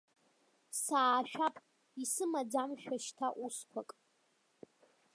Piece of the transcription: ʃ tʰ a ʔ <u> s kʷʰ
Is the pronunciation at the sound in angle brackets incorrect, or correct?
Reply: correct